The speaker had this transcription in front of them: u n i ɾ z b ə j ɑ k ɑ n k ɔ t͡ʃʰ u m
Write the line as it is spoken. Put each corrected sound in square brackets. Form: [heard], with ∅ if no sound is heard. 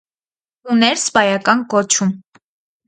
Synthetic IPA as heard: u n [ɛ] ɾ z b [ɑ] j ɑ k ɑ n k ɔ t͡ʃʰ u m